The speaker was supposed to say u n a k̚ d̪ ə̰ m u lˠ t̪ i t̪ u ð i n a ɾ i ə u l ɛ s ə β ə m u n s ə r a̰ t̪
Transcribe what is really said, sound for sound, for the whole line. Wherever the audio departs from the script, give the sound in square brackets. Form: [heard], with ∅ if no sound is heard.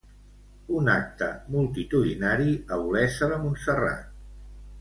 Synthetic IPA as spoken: u n a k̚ [t̪] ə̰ m u lˠ t̪ i t̪ u ð i n a ɾ i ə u l ɛ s ə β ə m u n s ə r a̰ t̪